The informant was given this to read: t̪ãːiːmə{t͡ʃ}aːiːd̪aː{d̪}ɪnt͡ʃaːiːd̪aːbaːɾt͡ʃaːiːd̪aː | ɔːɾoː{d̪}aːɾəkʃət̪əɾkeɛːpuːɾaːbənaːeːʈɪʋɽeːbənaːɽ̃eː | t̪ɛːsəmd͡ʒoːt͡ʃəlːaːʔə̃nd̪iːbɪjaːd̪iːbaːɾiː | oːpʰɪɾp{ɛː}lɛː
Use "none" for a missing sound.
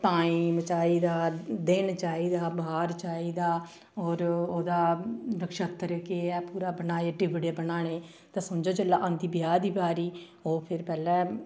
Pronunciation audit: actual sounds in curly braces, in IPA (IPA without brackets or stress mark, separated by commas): t͡ʃ, d̪, d̪, ɛː